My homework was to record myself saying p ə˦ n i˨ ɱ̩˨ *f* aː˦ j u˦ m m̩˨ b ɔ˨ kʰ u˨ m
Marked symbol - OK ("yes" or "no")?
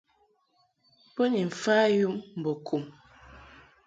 yes